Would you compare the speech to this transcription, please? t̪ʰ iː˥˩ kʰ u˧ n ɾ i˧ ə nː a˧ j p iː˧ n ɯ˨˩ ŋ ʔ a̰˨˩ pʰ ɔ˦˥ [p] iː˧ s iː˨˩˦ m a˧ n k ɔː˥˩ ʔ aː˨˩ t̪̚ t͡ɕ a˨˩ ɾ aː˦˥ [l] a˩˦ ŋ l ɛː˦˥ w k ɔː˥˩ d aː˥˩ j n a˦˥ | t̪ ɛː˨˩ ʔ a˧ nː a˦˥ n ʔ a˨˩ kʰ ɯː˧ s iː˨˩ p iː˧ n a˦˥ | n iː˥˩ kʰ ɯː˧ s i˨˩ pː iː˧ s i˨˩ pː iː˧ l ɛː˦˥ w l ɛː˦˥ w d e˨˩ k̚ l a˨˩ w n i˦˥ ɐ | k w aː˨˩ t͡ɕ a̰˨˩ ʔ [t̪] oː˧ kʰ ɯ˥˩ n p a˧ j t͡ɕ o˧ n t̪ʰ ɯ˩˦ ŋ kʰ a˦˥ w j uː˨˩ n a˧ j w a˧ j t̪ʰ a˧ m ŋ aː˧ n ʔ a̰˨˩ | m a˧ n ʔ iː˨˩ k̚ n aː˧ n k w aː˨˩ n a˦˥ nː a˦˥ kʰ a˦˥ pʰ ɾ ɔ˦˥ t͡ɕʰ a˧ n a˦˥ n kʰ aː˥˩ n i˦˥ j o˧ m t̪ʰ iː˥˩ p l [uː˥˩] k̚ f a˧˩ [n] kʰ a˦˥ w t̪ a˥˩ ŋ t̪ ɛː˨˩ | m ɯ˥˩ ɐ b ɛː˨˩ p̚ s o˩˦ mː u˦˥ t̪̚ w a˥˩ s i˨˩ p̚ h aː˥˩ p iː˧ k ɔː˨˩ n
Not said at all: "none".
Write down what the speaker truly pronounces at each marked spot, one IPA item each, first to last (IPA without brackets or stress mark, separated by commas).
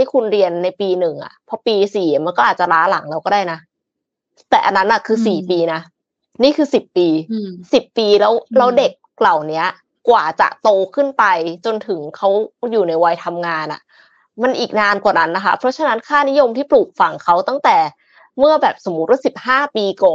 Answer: p, l, t̪, uː˨˩, ŋ